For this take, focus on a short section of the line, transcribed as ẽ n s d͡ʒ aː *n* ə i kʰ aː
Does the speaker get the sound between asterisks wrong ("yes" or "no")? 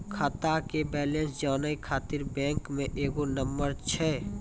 no